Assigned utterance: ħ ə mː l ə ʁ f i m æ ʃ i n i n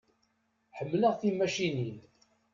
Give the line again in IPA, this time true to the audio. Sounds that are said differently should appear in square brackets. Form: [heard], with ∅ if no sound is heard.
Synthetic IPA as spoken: ħ ə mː l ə ʁ [θ] i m æ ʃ i n i n